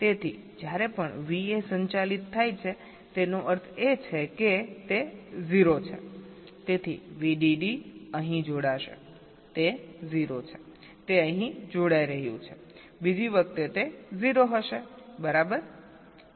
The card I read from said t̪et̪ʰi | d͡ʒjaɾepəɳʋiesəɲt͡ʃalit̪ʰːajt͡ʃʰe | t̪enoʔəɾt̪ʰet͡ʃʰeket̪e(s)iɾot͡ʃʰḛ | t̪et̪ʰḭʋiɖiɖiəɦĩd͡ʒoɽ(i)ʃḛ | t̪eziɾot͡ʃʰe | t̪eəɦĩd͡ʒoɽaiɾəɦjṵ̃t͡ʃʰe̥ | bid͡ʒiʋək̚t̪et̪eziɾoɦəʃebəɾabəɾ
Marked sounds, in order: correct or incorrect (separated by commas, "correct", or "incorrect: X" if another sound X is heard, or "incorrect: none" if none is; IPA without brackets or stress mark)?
incorrect: z, incorrect: a